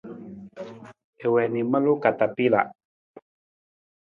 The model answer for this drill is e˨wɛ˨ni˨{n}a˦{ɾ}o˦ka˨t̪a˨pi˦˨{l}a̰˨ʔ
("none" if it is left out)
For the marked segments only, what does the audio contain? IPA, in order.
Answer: m, l, l

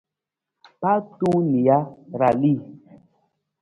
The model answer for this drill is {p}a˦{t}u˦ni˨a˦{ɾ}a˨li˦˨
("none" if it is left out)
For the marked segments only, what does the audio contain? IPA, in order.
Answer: p, t, ɾ

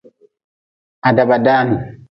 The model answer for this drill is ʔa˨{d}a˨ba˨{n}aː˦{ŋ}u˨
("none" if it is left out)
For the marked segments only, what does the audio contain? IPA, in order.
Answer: d, d, n

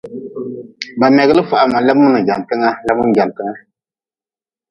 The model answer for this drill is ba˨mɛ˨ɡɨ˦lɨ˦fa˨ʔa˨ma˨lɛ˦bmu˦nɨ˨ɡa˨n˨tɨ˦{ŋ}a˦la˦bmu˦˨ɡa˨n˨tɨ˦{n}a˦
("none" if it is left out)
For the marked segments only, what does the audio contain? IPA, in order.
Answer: ŋ, ŋ

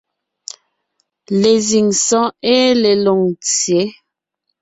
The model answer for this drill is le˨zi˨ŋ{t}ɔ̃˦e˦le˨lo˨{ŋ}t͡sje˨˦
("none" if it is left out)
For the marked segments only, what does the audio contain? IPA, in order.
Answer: s, ŋ

